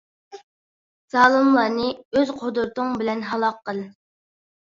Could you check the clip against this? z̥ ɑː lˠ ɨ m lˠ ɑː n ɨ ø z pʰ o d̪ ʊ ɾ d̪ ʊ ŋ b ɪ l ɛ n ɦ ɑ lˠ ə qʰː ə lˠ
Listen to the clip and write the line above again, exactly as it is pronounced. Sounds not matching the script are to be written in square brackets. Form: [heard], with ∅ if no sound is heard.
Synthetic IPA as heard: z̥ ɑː lˠ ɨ m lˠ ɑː n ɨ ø z [qʰ] o d̪ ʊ ɾ [t̪] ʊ ŋ b ɪ l ɛ n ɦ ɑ lˠ [ɑ] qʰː ə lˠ

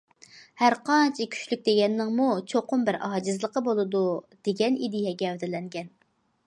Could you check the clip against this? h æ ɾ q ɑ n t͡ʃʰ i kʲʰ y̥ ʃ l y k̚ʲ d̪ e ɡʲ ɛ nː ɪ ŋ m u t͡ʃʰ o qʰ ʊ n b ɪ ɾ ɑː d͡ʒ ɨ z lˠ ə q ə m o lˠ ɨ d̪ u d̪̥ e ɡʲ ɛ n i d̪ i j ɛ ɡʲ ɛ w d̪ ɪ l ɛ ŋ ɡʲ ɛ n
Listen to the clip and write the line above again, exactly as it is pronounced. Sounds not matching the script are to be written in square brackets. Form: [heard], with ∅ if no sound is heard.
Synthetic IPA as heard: h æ ɾ q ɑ n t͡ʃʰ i kʲʰ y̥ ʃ l y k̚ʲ d̪ e ɡʲ ɛ nː ɪ ŋ m u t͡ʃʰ o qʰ ʊ [m] b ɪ ɾ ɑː d͡ʒ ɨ z lˠ ə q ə [b] o lˠ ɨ d̪ u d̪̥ e ɡʲ ɛ n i d̪ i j ɛ ɡʲ ɛ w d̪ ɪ l ɛ ŋ ɡʲ ɛ n

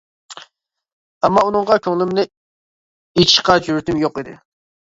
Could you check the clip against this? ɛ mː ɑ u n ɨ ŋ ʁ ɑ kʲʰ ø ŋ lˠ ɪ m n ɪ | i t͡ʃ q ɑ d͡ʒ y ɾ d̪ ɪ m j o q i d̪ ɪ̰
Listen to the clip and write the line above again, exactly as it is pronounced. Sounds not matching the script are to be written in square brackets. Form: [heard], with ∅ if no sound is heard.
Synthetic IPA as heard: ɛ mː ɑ u n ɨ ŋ ʁ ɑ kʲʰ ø ŋ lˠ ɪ m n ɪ | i t͡ʃ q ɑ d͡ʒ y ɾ [t̪] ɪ m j o q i d̪ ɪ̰

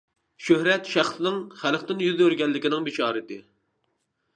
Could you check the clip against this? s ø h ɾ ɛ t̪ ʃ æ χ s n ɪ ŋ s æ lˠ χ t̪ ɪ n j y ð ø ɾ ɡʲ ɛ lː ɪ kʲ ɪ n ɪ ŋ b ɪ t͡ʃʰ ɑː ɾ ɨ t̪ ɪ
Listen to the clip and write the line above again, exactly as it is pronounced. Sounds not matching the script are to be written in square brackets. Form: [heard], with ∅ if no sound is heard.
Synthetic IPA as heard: [ʃ] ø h ɾ ɛ t̪ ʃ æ χ s n ɪ ŋ [χ] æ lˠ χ t̪ ɪ n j y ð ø ɾ ɡʲ ɛ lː ɪ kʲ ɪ n ɪ ŋ b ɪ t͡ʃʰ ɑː ɾ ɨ t̪ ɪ

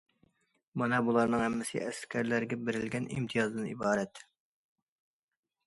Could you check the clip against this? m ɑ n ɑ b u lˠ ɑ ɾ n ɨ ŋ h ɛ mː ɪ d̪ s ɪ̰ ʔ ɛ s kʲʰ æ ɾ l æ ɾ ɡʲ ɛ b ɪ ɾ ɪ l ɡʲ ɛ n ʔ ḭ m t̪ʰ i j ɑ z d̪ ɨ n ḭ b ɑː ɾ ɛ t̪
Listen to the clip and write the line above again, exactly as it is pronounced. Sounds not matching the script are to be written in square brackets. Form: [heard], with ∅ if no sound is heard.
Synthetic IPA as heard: m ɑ n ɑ b u lˠ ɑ ɾ n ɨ ŋ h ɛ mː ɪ [∅] s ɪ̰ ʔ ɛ s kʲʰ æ ɾ l æ ɾ ɡʲ ɛ b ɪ ɾ ɪ l ɡʲ ɛ n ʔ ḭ m t̪ʰ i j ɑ z d̪ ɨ n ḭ b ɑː ɾ ɛ t̪

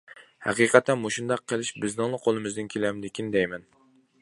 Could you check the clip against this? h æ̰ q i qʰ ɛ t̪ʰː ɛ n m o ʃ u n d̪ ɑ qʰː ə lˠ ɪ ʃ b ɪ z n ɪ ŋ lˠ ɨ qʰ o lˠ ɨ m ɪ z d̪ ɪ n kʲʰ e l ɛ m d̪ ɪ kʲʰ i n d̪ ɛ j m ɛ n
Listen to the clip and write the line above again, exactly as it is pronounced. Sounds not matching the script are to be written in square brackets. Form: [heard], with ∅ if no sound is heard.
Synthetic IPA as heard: h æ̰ q i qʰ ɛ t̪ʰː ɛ n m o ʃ u n d̪ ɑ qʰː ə lˠ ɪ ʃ b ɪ z n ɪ ŋ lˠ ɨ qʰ o lˠ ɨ m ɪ z d̪ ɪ n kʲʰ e l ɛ m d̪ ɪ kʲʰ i n d̪ ɛ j m ɛ n

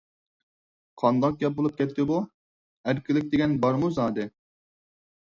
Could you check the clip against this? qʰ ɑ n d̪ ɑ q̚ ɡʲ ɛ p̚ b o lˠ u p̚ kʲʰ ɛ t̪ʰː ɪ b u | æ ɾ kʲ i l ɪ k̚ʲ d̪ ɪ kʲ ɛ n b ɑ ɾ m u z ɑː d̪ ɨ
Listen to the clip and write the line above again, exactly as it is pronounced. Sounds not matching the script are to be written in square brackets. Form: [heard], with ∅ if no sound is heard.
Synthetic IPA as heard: qʰ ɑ n d̪ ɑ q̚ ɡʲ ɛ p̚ b o lˠ u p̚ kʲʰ ɛ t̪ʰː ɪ b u | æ ɾ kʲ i l ɪ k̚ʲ d̪ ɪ [ɡʲ] ɛ n b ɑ ɾ m u z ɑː d̪ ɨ

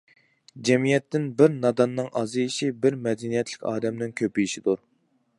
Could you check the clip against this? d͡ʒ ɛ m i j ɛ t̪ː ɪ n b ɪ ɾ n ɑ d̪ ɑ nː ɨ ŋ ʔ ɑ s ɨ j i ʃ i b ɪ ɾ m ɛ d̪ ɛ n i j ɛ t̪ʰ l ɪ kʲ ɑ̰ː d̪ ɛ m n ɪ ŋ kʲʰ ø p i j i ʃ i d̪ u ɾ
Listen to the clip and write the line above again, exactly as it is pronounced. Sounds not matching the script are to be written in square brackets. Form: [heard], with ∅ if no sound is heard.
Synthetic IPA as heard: d͡ʒ ɛ m i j ɛ t̪ː ɪ n b ɪ ɾ n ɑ d̪ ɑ nː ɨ ŋ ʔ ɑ [z] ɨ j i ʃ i b ɪ ɾ m ɛ d̪ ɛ n i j ɛ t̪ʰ l ɪ kʲ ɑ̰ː d̪ ɛ m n ɪ ŋ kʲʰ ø p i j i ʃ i d̪ u ɾ

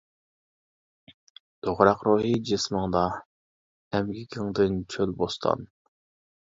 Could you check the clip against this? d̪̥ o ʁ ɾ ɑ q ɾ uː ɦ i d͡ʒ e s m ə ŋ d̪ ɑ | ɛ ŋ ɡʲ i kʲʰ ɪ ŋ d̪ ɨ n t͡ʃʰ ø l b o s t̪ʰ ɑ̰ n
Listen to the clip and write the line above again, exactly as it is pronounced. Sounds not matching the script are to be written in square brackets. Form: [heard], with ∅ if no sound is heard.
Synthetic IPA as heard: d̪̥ o ʁ ɾ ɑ q ɾ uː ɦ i d͡ʒ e s m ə ŋ d̪ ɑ | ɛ [m] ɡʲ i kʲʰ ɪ ŋ d̪ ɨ n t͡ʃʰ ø l b o s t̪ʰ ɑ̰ n

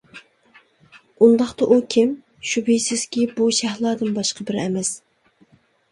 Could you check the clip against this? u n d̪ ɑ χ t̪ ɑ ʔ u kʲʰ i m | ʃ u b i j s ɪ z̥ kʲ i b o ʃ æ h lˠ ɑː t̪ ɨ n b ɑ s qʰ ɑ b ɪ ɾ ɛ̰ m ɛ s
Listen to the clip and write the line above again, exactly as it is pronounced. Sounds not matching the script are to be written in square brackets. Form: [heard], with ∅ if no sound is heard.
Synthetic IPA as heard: u n d̪ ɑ χ t̪ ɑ ʔ u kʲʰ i m | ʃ u b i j s ɪ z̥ kʲ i b [u] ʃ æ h lˠ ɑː [d̪] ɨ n b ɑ [ʃ] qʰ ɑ b ɪ ɾ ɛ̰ m ɛ s

